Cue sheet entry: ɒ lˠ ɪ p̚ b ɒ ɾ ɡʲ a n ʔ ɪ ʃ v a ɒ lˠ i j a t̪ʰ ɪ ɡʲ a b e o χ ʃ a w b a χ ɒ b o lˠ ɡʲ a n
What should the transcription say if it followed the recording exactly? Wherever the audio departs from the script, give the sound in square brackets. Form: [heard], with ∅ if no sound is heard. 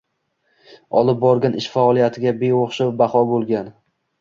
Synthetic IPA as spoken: ɒ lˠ ɪ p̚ b ɒ ɾ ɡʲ a n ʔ ɪ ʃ [f] a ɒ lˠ i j a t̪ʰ ɪ ɡʲ a b e o χ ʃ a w b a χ ɒ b o lˠ ɡʲ a n